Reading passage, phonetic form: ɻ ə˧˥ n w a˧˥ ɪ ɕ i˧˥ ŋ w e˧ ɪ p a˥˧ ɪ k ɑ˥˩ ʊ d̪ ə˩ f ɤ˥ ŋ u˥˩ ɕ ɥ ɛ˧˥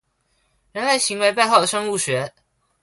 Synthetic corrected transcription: ɻ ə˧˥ n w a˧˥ ɪ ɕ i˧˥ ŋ w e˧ ɪ p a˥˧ ɪ x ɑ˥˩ ʊ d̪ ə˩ ʂ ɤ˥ ŋ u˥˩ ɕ ɥ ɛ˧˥